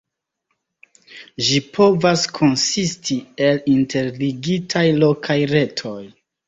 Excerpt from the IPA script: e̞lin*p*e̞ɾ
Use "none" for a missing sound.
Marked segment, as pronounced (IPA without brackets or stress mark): t